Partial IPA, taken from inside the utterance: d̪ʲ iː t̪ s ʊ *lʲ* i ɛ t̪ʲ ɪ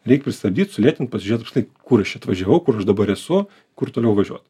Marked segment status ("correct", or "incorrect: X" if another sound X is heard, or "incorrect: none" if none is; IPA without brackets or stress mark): correct